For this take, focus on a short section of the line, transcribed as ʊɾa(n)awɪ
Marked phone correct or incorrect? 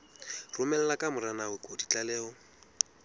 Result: correct